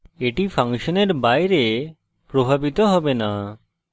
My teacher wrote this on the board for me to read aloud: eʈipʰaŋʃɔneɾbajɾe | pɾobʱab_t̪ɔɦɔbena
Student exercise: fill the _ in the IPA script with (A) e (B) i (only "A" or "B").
B